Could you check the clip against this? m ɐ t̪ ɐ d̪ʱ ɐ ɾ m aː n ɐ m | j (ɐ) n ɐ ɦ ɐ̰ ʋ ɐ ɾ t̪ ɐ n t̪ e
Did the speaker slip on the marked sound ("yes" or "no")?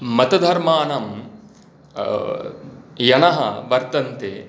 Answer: no